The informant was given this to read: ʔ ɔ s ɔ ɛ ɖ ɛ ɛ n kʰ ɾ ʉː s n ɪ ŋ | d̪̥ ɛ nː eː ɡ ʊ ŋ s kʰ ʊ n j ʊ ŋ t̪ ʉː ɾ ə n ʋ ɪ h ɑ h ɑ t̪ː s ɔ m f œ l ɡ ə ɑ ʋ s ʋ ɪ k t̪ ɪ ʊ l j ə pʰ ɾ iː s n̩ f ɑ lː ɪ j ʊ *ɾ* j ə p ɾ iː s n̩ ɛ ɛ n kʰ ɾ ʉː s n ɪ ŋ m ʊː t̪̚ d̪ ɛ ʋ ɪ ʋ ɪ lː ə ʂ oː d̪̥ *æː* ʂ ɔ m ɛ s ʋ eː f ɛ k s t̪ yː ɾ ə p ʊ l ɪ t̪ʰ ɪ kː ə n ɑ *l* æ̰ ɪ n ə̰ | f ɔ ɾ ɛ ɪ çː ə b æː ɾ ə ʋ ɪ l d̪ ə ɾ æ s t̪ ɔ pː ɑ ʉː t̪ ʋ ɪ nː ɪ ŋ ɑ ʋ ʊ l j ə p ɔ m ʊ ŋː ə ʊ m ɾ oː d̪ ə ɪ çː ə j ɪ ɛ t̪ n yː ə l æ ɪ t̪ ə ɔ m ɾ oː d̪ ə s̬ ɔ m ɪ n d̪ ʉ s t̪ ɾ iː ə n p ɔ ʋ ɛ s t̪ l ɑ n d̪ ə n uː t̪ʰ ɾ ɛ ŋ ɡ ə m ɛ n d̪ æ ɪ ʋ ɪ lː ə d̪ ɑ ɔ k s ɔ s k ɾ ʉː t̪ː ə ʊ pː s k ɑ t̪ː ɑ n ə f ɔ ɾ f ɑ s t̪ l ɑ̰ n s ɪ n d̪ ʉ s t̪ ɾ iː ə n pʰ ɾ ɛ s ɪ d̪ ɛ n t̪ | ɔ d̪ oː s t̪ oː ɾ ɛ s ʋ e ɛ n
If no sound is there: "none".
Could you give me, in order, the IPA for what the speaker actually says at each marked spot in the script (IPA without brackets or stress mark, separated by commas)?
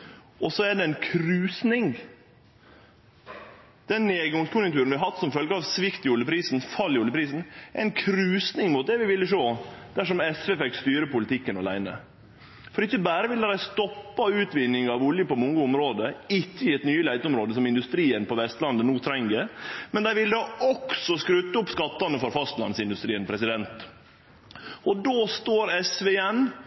l, æ, l